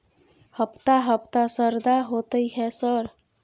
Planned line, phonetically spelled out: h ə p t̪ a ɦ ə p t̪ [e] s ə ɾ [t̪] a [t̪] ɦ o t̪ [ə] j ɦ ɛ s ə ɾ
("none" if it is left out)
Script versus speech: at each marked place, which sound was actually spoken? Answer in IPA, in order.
a, d̪, none, ə

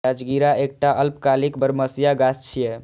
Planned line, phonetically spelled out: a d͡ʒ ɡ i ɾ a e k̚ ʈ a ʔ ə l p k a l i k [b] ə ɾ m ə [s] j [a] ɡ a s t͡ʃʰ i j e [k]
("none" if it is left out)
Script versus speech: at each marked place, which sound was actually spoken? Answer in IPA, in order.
b, s, a, none

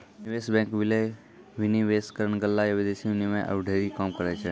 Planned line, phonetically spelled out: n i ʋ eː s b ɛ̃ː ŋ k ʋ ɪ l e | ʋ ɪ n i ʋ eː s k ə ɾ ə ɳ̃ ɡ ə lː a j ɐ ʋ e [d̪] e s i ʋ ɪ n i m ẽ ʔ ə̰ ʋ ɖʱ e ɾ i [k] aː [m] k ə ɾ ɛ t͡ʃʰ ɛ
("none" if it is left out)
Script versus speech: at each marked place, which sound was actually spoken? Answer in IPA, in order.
d̪, k, m

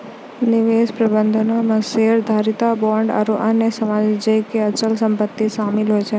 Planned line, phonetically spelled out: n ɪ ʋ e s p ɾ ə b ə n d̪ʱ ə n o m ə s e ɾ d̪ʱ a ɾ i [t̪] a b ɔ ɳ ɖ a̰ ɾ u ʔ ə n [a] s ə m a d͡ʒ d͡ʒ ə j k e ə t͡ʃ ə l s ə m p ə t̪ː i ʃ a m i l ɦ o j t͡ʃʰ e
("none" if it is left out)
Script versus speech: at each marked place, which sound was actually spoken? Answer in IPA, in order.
t̪, e

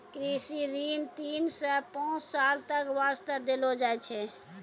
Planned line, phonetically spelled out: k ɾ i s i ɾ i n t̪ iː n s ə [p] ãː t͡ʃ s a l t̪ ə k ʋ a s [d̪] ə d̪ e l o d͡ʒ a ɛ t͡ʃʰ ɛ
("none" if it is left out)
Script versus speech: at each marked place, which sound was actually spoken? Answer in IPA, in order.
p, t̪

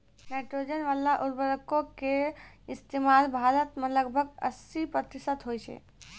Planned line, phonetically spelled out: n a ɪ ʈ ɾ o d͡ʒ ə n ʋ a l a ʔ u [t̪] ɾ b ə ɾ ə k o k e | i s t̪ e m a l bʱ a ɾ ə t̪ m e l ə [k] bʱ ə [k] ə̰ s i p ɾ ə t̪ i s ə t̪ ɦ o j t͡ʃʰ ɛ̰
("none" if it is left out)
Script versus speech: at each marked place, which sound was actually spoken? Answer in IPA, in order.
none, ɡ, ɡ

